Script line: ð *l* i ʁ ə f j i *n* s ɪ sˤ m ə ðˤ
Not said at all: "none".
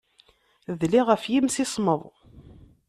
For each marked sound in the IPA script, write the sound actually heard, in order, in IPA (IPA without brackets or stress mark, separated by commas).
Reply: l, m